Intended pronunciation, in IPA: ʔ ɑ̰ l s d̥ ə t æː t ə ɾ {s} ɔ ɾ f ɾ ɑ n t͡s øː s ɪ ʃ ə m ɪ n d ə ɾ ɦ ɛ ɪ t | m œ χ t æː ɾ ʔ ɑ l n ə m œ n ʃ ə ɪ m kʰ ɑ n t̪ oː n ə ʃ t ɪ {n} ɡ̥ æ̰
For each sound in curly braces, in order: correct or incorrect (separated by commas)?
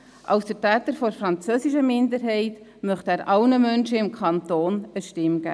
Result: incorrect, incorrect